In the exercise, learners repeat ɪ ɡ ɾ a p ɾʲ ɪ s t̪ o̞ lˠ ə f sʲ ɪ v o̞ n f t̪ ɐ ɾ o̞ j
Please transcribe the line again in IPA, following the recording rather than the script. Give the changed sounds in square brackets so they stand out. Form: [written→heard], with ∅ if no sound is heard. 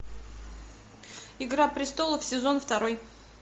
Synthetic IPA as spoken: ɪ ɡ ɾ a p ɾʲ ɪ s t̪ o̞ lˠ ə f sʲ ɪ [v→z] o̞ n f t̪ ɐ ɾ o̞ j

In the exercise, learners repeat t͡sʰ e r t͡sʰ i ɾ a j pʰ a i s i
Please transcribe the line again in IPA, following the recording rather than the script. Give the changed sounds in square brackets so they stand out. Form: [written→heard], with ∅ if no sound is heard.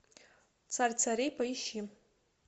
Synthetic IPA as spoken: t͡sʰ [e→a] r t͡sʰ [i→a] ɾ [a→e] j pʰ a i [s→ʃ] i

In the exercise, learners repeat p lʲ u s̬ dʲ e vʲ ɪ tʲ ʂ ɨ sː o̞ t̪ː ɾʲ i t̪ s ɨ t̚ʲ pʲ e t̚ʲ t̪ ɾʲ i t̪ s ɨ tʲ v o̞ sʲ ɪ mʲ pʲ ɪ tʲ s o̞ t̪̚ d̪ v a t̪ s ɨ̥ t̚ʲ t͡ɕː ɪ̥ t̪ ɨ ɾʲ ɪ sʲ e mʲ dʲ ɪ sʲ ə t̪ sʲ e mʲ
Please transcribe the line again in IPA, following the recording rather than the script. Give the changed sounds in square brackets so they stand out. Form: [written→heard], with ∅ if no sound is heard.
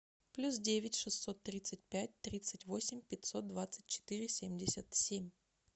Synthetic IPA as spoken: p lʲ u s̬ dʲ e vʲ ɪ tʲ ʂ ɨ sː o̞ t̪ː ɾʲ i t̪ s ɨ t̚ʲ pʲ [e→æ] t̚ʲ t̪ ɾʲ i t̪ s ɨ tʲ v o̞ sʲ ɪ mʲ pʲ ɪ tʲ s o̞ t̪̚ d̪ v a t̪ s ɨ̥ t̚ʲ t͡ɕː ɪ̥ t̪ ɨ ɾʲ ɪ sʲ e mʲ dʲ ɪ sʲ ə t̪ sʲ e mʲ

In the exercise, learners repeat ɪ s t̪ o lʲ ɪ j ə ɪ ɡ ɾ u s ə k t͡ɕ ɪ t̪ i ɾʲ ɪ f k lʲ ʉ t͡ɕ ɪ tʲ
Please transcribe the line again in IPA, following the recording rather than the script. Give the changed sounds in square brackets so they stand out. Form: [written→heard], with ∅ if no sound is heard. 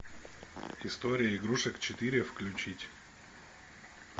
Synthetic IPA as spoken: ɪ s t̪ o [lʲ→ɾʲ] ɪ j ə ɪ ɡ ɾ u [s→ʂ] ə k t͡ɕ ɪ t̪ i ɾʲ ɪ f k lʲ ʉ t͡ɕ [ɪ→i] tʲ

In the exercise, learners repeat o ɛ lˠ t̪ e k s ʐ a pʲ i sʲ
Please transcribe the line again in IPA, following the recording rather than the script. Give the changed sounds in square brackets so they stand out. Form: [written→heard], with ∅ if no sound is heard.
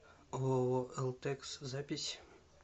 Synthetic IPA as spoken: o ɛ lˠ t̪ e k s [ʐ→z] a pʲ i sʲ

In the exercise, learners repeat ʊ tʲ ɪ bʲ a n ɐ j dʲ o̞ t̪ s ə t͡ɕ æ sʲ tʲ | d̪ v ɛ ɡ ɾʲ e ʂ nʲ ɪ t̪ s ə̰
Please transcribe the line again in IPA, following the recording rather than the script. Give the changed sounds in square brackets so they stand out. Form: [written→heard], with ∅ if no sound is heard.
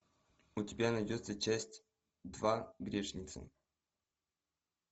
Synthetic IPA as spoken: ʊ tʲ ɪ bʲ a n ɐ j dʲ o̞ t̪ s ə t͡ɕ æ sʲ tʲ | d̪ v [ɛ→a] ɡ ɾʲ e ʂ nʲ ɪ t̪ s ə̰

